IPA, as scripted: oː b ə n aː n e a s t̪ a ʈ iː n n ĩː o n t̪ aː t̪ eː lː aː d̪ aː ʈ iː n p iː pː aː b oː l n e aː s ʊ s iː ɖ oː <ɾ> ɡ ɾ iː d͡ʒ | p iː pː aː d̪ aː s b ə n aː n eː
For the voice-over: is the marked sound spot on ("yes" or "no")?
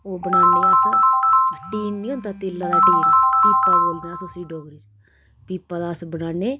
no